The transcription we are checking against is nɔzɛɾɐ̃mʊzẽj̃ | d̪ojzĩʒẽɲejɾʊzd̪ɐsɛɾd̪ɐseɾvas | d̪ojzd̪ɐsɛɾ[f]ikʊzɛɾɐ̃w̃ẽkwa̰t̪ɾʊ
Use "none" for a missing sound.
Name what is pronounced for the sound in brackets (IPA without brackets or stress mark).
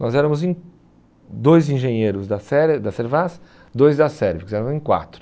v